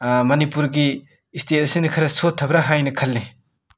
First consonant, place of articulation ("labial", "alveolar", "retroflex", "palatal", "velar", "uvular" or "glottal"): labial